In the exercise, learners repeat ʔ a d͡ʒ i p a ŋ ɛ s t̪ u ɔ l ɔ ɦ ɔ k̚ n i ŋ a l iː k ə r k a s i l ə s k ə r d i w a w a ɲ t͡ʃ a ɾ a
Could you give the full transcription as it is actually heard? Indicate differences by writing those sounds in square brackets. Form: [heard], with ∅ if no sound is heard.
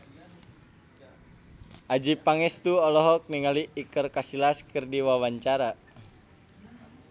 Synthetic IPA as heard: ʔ a d͡ʒ i p a ŋ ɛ s t̪ u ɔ l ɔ ɦ ɔ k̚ n i ŋ a l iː k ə r k a s i l [a] s k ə r d i w a w a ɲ t͡ʃ a ɾ a